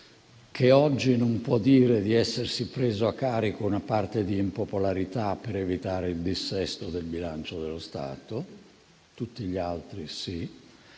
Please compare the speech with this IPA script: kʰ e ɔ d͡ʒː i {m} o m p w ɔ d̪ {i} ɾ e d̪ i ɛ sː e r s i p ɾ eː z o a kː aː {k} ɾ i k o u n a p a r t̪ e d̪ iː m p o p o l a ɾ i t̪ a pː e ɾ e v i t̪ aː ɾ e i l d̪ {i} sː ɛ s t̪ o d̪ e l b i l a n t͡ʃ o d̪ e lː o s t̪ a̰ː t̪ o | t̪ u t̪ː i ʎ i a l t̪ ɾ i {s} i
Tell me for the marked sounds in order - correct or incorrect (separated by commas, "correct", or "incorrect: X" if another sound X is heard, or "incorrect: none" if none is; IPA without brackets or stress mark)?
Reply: incorrect: n, incorrect: iː, incorrect: none, correct, correct